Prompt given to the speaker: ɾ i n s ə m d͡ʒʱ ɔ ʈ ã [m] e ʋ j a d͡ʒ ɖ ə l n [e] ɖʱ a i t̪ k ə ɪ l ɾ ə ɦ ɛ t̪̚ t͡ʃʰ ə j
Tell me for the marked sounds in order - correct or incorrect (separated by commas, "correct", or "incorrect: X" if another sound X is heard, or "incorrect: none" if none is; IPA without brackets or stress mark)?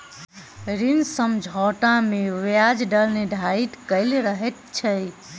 correct, correct